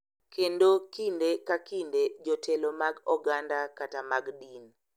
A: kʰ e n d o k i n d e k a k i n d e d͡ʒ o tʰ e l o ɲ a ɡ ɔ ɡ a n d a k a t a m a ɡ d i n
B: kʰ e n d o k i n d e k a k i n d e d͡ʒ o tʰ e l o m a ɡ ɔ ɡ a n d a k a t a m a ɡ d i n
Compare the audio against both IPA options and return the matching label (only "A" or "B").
B